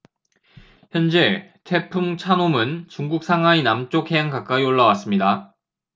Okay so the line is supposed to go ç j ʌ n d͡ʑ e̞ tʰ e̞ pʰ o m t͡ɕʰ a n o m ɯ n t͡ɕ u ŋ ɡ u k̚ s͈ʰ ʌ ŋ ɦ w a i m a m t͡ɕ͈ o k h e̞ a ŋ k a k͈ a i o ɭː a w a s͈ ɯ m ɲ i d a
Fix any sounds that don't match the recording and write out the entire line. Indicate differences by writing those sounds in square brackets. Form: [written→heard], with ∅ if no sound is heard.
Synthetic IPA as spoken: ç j ʌ n d͡ʑ e̞ tʰ e̞ pʰ [o→u] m t͡ɕʰ a n o m ɯ n t͡ɕ u ŋ ɡ u k̚ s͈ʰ [ʌ→a] ŋ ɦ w a i [m→n] a m t͡ɕ͈ o k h e̞ a ŋ k a k͈ a i o ɭː a w a s͈ ɯ m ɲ i d a